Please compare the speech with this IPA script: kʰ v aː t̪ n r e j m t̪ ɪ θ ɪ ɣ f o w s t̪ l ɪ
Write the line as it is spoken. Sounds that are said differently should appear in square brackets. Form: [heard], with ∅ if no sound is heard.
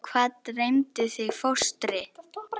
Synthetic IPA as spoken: kʰ v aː t̪ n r e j m t̪ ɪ θ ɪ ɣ f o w s t̪ [ɾ] ɪ